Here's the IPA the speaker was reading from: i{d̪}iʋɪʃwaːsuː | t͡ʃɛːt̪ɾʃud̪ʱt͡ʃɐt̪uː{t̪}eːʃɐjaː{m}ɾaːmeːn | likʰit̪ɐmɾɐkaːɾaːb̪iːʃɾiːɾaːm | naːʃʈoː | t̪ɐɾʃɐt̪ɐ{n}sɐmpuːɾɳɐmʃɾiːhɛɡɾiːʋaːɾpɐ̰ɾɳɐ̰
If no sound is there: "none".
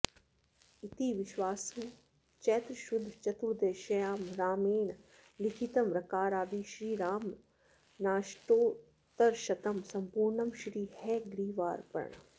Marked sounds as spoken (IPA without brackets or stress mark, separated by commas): t̪, d̪, m, m